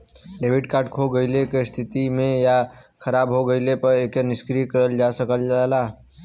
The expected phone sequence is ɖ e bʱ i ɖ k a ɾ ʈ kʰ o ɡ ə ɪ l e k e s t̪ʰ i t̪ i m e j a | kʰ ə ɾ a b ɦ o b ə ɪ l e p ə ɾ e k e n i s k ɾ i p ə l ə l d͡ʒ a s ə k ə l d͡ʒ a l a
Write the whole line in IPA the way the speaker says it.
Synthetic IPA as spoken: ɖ e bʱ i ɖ k a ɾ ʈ kʰ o ɡ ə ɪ l e k e s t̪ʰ i t̪ i m e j a | kʰ ə ɾ a b ɦ o ɡ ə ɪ l e p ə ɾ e k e n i s k ɾ i k ə ɾ ə l d͡ʒ a s ə k ə l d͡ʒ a l a